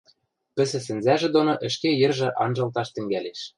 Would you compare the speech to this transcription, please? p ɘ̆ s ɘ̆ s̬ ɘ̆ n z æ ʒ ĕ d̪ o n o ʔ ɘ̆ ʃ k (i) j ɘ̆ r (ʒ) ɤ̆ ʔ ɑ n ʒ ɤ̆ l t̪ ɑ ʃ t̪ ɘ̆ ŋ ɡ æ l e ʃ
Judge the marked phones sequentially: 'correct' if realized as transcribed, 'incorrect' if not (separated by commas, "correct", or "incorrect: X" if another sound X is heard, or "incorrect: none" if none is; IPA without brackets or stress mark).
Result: incorrect: e, correct